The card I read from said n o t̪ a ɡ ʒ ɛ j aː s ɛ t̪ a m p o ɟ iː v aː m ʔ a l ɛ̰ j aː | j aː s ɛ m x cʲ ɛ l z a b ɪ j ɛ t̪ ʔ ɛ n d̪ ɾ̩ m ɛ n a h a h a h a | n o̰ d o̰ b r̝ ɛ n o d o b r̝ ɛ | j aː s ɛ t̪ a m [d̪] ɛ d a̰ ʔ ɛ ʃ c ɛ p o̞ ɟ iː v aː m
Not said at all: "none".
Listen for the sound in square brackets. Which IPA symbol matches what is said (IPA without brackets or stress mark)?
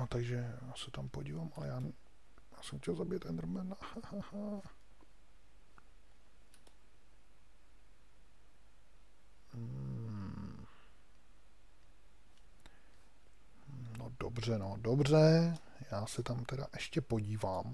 t̪